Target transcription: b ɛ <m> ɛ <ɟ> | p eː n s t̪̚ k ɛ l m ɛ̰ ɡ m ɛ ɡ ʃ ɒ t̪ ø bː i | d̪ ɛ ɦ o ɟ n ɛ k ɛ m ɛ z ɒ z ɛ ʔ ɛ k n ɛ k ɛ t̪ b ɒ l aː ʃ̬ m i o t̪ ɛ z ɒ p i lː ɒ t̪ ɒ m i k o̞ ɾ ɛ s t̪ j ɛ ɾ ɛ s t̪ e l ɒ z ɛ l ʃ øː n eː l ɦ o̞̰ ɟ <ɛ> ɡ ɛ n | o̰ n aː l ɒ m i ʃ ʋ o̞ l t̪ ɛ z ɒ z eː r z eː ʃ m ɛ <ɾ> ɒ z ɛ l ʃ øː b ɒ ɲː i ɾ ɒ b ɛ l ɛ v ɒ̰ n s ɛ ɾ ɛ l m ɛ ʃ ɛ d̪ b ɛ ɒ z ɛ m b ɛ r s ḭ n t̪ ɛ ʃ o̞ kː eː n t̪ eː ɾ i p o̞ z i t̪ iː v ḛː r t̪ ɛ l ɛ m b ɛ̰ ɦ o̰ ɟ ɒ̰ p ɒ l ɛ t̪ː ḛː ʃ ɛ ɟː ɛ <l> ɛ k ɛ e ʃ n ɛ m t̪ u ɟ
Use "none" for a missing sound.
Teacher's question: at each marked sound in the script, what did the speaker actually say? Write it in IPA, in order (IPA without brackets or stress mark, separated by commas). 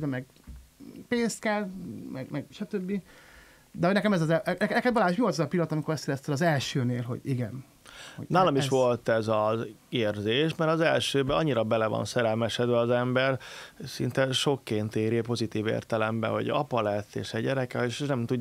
m, ɡ, i, ɾ, ɾ